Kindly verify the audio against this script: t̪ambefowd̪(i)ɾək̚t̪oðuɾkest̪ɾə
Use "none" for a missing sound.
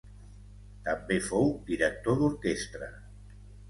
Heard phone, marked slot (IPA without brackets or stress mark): i